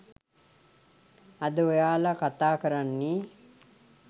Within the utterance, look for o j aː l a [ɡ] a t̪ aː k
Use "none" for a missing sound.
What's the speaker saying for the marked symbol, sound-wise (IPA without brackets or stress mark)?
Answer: k